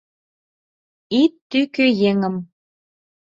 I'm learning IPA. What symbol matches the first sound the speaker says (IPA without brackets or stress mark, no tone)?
i